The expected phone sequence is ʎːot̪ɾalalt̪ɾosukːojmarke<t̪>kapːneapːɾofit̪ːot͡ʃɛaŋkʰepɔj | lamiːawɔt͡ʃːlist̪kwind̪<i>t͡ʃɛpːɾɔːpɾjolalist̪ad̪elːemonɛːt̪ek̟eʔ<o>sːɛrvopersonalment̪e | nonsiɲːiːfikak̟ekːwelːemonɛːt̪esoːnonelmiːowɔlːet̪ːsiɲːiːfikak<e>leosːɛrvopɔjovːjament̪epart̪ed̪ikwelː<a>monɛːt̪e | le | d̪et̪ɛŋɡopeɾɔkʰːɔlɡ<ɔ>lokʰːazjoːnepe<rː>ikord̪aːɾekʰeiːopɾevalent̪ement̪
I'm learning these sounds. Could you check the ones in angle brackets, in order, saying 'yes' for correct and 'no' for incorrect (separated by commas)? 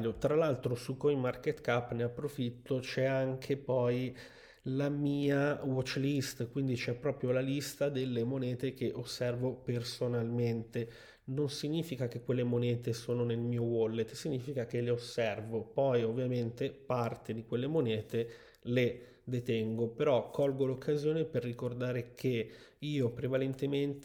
yes, yes, yes, yes, no, no, yes